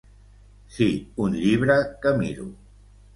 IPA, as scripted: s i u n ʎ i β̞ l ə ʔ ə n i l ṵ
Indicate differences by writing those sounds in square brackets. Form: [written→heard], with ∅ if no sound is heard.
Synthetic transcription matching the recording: s i u n ʎ i β̞ [l→ɾ] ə [ʔ→k] ə [n→m] i [l→ɾ] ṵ